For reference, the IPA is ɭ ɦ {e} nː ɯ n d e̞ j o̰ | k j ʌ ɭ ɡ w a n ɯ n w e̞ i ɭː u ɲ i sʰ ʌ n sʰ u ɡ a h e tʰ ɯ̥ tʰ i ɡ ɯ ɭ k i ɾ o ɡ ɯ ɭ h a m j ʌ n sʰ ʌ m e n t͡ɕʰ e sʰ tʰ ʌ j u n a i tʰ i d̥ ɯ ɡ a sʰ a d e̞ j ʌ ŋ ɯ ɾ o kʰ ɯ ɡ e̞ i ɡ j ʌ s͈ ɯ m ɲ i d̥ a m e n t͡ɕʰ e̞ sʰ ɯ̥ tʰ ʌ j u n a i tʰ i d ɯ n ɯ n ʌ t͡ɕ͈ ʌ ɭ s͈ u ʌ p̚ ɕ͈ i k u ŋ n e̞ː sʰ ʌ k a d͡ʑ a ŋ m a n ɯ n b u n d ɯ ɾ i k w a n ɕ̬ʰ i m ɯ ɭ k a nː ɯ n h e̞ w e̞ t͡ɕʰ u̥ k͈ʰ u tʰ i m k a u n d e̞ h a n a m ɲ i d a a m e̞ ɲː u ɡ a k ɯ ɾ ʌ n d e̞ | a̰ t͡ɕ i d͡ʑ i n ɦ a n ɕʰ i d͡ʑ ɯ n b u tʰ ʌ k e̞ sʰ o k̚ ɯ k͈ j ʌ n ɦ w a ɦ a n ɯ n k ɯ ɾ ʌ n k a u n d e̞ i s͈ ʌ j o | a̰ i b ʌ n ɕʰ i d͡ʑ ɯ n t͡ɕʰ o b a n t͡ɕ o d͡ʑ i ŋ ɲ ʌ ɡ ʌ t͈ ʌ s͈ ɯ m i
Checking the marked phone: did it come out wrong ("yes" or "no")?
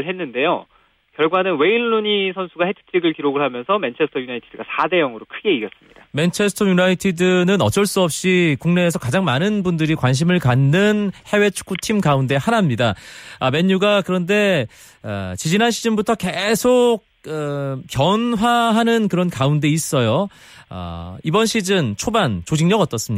no